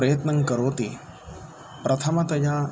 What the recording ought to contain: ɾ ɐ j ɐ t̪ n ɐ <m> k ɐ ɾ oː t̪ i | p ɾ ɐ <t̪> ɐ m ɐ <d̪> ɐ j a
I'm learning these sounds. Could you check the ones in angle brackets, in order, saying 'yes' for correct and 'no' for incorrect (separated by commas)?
no, no, no